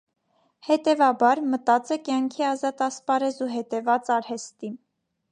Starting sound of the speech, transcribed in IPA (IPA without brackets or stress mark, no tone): h